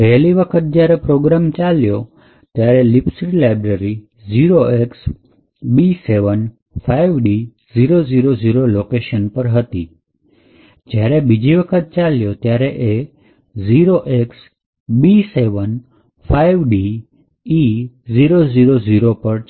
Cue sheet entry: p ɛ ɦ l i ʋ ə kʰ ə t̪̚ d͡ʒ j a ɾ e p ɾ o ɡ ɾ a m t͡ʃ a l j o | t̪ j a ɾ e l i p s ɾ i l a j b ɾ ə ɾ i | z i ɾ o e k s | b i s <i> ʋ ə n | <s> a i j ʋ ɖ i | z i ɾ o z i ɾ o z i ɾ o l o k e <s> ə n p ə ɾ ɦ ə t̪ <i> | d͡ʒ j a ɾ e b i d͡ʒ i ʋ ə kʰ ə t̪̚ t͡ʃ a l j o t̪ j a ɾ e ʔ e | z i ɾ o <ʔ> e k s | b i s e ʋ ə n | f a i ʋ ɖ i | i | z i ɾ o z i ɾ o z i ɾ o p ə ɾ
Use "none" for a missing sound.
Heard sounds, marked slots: e, f, ʃ, i, ʔ

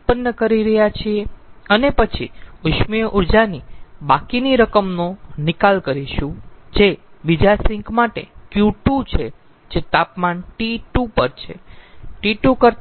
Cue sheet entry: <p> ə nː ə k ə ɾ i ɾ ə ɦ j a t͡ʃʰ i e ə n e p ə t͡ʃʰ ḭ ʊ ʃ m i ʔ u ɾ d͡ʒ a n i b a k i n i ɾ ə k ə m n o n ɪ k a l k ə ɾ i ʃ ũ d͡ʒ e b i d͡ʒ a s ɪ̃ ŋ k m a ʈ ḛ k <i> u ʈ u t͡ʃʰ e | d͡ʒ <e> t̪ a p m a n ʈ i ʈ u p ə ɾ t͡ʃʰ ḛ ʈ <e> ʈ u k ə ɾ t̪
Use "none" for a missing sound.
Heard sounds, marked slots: p, j, e, i

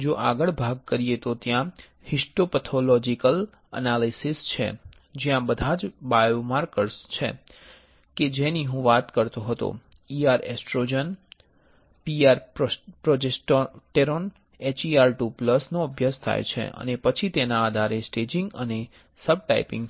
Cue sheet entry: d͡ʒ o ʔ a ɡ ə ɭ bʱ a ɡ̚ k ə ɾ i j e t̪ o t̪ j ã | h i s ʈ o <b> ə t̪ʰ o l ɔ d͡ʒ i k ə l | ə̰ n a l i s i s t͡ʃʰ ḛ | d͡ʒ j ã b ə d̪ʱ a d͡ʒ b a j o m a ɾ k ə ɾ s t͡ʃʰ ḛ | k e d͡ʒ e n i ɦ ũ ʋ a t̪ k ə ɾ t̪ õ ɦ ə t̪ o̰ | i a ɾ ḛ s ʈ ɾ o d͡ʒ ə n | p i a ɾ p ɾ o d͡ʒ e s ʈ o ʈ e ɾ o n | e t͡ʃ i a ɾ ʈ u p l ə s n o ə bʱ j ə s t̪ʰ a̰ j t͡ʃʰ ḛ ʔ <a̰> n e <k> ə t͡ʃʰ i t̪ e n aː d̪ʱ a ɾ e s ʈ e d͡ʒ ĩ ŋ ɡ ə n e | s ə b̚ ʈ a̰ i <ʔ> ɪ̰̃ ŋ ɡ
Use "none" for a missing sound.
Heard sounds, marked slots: p, ə̰, p, p

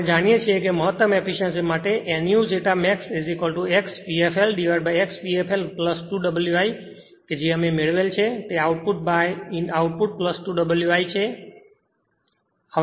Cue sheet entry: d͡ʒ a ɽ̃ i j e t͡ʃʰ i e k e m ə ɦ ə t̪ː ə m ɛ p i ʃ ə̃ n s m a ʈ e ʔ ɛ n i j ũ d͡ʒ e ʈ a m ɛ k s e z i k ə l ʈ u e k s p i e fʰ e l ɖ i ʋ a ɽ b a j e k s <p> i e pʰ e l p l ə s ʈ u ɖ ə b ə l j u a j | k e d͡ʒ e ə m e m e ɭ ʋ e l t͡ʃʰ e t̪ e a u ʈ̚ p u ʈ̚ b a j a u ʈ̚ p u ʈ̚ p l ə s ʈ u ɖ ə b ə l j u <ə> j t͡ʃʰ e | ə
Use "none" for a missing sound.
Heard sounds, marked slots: p, a

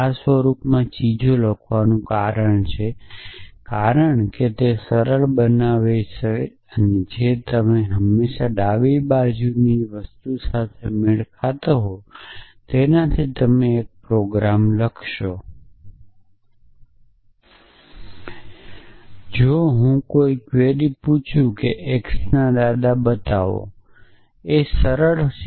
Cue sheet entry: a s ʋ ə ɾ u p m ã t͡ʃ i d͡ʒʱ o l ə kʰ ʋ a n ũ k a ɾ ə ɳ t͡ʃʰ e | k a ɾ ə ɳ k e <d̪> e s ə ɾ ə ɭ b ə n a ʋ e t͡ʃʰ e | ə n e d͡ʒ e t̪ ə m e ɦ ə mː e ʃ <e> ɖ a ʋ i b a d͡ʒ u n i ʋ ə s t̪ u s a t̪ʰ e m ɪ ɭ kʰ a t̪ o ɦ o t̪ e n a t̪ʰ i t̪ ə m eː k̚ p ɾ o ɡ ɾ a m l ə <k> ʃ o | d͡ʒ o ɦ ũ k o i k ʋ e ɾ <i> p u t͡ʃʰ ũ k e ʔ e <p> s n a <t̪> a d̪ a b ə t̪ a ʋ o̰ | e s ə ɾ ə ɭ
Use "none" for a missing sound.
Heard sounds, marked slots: t̪, a, kʰ, i, k, d̪

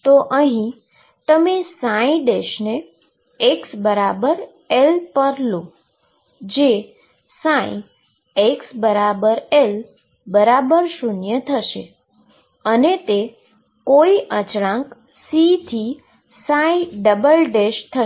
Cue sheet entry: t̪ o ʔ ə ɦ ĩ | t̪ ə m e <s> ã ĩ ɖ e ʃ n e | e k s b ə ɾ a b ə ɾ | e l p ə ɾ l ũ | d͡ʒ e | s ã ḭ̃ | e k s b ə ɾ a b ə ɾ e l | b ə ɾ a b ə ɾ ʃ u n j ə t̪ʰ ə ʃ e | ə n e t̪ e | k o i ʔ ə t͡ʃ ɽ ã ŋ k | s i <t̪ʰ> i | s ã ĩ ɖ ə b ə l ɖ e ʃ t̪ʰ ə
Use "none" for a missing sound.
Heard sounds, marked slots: s, t̪ʰ

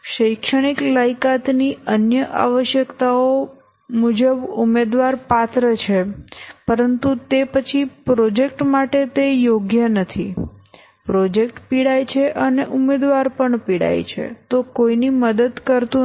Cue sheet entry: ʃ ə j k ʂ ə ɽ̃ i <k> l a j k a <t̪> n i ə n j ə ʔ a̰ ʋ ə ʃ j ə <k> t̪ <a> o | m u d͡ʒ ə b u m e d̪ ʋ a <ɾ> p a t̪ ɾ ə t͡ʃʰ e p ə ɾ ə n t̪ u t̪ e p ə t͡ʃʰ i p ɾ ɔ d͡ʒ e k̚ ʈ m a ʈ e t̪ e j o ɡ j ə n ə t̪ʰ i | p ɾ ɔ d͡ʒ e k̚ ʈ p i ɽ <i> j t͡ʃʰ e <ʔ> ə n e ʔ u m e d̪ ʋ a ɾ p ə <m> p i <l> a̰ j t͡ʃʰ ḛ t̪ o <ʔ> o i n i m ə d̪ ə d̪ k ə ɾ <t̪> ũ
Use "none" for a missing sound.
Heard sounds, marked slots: k, t̪, k, a, ɾ, a, ʔ, ɳ, ɽ, k, t̪

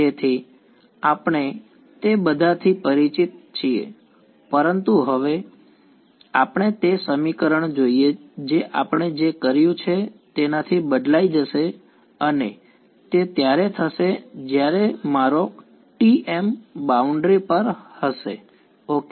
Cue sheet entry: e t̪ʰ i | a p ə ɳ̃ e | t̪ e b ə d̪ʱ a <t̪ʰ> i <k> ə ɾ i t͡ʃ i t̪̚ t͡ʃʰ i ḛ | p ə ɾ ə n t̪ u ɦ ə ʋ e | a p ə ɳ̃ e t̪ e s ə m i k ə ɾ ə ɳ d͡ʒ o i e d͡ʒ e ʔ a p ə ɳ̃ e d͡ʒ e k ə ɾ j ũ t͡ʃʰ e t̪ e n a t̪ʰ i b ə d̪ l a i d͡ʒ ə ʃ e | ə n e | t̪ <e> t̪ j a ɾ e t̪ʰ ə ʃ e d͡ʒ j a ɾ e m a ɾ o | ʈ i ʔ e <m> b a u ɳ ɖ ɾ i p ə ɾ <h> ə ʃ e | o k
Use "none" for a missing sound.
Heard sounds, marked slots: t̪ʰ, p, e, m, h

